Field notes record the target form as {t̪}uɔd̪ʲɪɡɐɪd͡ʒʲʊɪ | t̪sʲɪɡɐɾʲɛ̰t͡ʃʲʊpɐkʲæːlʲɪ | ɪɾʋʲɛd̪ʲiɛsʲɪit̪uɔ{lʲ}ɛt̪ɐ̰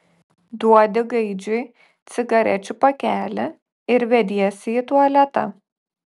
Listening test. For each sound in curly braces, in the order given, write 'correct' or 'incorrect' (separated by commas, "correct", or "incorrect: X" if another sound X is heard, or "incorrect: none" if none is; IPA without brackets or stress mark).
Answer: incorrect: d̪, correct